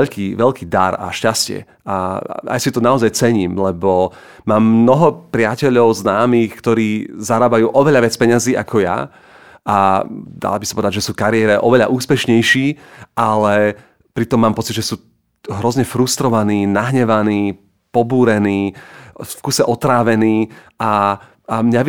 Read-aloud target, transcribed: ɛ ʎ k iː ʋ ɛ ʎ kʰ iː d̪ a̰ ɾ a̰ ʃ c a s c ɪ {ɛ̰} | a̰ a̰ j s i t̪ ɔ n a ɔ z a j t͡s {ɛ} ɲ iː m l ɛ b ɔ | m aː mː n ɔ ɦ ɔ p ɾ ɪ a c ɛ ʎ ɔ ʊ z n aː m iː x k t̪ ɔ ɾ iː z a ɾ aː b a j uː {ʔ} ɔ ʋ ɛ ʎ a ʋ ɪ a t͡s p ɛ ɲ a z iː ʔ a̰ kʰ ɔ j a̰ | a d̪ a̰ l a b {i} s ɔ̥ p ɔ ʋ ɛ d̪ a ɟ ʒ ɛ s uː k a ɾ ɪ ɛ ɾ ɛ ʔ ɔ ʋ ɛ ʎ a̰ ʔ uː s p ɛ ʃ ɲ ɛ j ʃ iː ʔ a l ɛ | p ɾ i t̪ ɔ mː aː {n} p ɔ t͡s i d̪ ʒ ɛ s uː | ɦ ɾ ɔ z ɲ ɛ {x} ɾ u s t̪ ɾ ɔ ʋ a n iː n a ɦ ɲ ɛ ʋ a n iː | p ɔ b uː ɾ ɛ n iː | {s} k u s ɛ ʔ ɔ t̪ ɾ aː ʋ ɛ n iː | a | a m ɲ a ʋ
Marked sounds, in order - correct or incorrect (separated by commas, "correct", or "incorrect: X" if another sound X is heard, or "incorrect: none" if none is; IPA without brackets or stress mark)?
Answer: correct, correct, correct, correct, incorrect: m, incorrect: f, incorrect: f